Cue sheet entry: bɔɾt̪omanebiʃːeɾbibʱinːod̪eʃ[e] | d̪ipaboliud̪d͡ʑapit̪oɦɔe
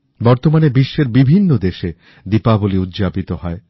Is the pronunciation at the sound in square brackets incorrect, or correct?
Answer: correct